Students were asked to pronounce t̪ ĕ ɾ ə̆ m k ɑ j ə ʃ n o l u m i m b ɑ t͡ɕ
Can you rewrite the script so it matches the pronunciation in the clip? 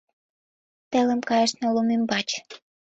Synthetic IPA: t̪ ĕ l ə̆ m k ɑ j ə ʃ n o l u m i m b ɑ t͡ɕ